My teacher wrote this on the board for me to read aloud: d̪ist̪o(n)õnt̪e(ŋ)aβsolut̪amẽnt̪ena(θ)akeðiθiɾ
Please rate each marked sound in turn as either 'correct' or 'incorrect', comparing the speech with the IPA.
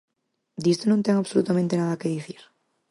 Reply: correct, correct, incorrect: ð

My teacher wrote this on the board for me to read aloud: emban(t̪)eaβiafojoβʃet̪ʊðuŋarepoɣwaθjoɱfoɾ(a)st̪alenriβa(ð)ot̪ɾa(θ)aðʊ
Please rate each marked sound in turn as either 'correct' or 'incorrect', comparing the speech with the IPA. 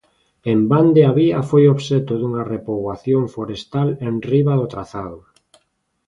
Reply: incorrect: d̪, incorrect: e, correct, correct

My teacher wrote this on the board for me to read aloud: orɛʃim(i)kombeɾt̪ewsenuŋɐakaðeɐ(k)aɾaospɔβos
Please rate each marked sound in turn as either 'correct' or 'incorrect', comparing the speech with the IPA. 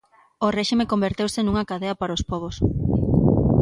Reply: incorrect: e, incorrect: p

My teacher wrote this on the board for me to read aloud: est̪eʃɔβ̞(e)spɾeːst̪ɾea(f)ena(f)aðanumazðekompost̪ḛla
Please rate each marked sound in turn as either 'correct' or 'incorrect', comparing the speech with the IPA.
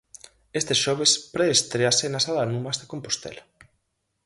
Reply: correct, incorrect: s, incorrect: s

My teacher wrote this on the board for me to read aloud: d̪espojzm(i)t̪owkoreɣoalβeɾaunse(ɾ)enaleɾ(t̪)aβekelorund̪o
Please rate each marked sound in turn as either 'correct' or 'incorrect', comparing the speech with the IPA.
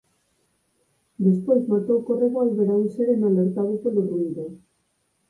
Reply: incorrect: a, correct, correct

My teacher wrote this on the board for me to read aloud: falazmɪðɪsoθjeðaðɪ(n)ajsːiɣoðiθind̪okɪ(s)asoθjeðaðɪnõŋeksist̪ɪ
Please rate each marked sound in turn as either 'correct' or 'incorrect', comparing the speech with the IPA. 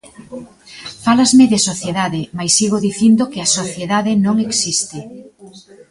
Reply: incorrect: m, incorrect: none

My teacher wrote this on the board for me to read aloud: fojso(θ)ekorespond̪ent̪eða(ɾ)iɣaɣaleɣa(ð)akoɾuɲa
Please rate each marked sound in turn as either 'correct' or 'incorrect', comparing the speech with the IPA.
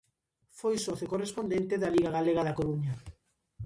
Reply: correct, incorrect: l, correct

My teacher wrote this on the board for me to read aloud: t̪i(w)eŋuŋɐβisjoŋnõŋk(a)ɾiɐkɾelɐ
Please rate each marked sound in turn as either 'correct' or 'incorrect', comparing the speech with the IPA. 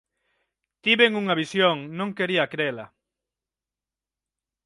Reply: incorrect: β, incorrect: e

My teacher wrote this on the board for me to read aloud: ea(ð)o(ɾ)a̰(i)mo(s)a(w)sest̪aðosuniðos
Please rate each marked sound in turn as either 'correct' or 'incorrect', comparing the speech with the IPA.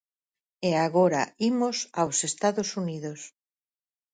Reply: incorrect: ɣ, correct, correct, correct, correct

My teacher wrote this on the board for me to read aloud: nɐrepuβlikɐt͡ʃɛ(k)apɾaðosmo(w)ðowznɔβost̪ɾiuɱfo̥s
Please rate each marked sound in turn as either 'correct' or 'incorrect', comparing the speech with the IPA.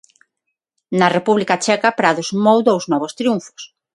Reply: correct, correct

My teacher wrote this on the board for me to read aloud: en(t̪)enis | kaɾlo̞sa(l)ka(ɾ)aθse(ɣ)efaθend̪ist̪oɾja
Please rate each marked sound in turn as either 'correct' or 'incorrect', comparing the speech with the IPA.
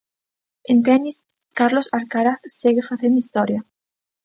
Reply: correct, incorrect: ɾ, correct, correct

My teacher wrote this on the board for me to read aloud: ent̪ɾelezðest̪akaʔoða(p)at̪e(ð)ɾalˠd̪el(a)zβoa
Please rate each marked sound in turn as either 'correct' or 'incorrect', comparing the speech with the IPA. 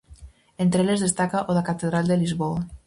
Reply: incorrect: k, correct, incorrect: i

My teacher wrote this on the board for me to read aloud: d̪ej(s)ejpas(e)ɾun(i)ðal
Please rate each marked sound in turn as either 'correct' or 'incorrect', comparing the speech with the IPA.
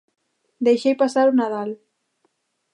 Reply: incorrect: ʃ, incorrect: a, incorrect: a

